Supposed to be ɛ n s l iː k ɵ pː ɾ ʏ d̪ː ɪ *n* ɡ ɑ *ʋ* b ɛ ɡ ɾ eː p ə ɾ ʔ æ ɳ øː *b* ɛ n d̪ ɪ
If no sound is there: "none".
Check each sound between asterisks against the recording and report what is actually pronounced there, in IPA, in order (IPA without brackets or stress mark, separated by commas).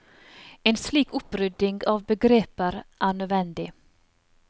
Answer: ŋ, v, v